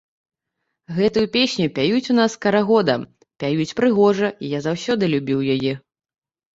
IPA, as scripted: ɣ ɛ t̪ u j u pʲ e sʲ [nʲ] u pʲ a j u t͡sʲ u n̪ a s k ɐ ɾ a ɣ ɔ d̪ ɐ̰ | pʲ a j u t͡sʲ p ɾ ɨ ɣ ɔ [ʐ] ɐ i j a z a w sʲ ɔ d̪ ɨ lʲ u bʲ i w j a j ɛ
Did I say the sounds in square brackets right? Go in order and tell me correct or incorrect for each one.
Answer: correct, correct

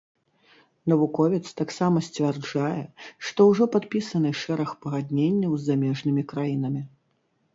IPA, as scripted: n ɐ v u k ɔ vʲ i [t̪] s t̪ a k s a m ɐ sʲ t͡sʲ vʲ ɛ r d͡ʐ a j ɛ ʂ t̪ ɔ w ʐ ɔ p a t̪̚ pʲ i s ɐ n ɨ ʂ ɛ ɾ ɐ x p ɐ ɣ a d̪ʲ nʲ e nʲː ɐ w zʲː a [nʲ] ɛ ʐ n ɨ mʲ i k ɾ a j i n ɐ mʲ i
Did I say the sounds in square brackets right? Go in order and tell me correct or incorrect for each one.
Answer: correct, incorrect

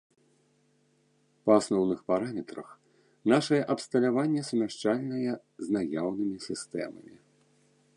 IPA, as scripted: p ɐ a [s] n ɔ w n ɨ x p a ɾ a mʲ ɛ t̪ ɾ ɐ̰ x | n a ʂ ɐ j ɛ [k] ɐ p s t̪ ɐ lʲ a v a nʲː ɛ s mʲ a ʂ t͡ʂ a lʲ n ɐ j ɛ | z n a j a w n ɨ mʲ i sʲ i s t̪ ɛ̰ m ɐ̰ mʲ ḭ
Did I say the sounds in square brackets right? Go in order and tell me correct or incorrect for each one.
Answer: correct, incorrect

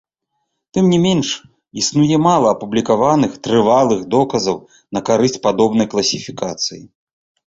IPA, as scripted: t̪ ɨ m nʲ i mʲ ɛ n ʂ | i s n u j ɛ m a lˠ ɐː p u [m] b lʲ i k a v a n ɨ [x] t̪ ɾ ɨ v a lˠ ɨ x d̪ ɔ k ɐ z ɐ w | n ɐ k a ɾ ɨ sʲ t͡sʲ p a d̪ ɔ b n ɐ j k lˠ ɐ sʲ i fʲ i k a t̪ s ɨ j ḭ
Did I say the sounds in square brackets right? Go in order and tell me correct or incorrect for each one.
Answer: incorrect, correct

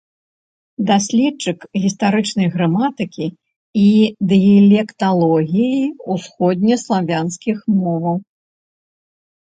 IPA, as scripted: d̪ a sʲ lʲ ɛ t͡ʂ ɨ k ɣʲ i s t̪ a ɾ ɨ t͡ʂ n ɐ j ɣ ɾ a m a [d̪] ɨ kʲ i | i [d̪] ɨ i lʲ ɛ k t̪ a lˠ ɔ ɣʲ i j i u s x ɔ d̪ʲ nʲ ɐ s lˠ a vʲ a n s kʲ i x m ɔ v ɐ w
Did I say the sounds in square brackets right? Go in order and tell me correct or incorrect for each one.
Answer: incorrect, correct

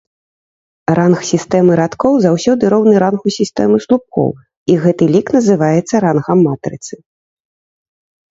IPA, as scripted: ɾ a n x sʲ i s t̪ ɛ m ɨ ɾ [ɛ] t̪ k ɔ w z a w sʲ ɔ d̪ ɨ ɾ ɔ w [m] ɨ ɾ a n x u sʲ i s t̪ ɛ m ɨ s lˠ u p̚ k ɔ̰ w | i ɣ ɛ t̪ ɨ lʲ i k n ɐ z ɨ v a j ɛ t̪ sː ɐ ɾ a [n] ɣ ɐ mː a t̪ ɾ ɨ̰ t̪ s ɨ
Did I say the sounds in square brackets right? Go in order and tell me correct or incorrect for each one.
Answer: incorrect, incorrect, correct

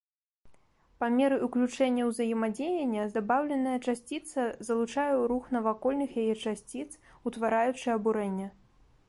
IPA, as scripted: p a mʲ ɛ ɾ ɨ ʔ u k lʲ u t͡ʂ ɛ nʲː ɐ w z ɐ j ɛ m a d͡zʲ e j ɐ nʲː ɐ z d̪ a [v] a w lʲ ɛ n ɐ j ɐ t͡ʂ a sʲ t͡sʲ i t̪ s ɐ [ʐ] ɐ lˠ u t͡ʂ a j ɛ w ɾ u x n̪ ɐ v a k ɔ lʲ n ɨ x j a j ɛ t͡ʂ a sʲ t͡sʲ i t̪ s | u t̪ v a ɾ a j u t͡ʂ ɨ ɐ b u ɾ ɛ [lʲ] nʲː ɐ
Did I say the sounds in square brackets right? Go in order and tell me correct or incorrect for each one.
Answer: incorrect, incorrect, incorrect

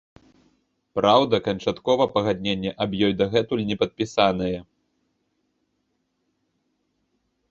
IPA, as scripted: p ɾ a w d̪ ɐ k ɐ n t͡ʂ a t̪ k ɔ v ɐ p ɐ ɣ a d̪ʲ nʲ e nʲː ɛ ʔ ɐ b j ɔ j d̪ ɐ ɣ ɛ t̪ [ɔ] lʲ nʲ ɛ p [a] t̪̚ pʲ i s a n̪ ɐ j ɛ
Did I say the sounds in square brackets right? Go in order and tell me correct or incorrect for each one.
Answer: incorrect, incorrect

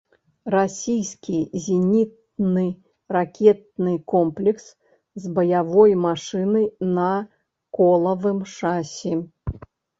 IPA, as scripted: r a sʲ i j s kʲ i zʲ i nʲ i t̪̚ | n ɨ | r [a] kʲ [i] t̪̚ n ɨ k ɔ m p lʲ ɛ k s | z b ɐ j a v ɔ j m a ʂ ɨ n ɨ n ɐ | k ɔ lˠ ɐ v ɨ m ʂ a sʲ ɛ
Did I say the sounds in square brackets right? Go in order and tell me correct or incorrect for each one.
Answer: correct, incorrect

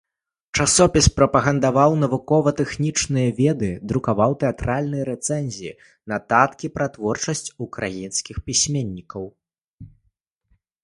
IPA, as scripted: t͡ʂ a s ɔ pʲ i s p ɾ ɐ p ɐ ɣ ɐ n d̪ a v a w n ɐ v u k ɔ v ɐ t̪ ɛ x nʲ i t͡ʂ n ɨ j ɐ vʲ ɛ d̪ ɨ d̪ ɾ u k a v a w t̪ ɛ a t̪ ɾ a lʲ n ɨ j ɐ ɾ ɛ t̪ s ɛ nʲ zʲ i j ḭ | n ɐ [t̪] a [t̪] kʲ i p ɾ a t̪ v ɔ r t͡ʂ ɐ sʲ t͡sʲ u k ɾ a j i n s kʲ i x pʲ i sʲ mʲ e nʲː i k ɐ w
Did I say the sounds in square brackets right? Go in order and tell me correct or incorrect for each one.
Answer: correct, correct

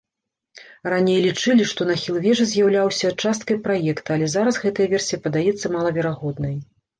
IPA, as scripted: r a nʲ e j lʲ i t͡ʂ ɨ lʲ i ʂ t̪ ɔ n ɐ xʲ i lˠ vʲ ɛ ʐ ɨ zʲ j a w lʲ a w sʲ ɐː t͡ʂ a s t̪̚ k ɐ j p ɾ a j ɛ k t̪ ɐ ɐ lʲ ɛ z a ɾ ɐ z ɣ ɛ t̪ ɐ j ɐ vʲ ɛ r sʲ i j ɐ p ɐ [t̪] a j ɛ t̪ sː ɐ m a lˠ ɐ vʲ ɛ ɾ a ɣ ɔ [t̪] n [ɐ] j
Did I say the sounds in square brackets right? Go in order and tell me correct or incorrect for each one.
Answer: incorrect, incorrect, correct

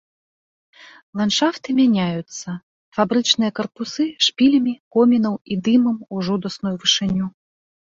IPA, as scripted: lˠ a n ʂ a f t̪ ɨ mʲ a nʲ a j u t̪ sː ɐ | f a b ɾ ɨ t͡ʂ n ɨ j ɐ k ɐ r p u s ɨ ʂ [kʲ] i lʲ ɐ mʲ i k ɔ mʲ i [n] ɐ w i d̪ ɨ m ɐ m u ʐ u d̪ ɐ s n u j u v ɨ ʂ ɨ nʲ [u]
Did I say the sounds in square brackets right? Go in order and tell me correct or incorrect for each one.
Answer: incorrect, correct, correct

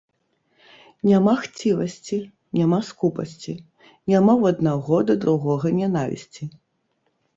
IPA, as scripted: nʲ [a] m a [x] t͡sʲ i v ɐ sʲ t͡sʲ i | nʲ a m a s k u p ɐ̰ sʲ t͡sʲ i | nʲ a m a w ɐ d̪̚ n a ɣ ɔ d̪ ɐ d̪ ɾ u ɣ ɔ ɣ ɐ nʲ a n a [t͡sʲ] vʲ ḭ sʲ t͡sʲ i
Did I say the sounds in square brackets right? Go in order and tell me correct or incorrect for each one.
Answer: correct, correct, incorrect

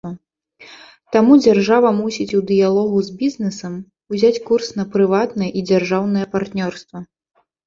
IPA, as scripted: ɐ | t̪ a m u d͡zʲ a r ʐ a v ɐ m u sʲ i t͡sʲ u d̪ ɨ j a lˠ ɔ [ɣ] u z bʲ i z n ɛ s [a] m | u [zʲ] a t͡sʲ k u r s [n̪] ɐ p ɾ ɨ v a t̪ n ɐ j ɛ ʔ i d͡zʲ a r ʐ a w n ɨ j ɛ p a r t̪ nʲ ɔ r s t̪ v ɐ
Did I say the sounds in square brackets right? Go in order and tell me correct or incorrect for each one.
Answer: correct, incorrect, correct, correct

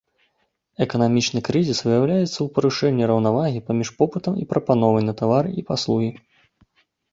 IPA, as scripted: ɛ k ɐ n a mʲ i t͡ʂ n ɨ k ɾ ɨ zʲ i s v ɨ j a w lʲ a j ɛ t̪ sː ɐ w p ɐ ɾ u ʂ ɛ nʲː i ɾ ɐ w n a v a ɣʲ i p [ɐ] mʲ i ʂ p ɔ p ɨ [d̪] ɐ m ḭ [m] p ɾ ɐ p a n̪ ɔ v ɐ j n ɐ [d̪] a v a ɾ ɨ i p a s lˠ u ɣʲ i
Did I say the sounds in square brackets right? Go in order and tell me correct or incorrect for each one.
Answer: incorrect, incorrect, incorrect, incorrect

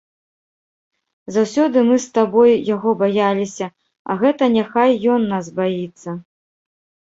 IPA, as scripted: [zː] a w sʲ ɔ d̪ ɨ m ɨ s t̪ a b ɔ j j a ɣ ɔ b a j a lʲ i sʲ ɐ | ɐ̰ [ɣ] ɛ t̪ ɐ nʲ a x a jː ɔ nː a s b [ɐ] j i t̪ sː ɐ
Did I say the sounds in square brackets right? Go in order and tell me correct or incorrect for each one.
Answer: incorrect, correct, incorrect

